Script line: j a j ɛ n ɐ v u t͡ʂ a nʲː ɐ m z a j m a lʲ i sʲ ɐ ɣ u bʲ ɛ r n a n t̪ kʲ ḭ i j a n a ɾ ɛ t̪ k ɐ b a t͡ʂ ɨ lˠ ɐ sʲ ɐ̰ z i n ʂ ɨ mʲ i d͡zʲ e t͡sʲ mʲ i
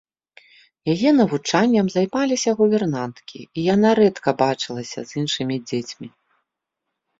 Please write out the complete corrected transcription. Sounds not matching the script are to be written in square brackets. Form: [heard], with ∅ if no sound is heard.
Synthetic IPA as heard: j a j ɛ n ɐ v u t͡ʂ a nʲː ɐ m z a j m a lʲ i sʲ ɐ ɣ u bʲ ɛ r n a n t̪ kʲ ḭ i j a n a ɾ ɛ t̪ k ɐ b a t͡ʂ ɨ lˠ ɐ sʲ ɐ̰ z i n ʂ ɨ mʲ i d͡zʲ e t͡sʲ mʲ i